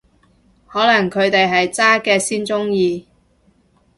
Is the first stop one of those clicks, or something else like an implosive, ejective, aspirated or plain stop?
aspirated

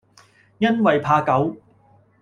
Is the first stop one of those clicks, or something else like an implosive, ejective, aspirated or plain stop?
aspirated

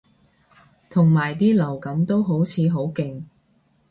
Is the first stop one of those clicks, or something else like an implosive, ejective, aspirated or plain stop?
aspirated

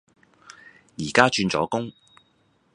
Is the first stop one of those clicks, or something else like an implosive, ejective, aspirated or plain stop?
plain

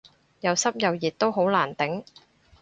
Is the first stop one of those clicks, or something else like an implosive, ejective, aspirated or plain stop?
plain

